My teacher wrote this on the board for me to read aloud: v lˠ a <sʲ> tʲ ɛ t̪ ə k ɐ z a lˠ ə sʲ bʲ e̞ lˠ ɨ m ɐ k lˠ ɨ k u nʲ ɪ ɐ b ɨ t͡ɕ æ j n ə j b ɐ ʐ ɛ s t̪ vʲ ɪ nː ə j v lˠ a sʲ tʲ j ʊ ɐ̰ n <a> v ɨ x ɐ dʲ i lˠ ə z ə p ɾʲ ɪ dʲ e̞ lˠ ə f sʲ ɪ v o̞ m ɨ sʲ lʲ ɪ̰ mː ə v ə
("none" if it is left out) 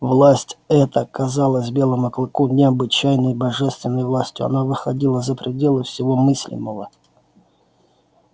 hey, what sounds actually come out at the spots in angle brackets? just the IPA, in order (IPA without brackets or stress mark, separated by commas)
sʲ, a